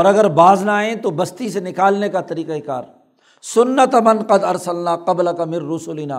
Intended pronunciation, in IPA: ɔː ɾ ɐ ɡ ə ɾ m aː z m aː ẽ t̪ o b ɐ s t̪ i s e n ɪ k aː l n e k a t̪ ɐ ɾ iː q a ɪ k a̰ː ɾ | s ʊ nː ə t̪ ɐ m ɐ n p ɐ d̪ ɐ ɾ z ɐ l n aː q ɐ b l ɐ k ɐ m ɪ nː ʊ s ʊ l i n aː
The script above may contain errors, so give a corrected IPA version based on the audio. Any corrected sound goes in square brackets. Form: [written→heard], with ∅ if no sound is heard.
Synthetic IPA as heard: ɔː ɾ ɐ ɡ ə ɾ [m→b] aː z [m→n] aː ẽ t̪ o b ɐ s t̪ i s e n ɪ k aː l n e k a t̪ ɐ ɾ iː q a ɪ k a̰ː ɾ | s ʊ nː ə t̪ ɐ m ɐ n [p→q] ɐ d̪ ɐ ɾ [z→s] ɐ l n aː q ɐ b l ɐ k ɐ m ɪ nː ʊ s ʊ l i n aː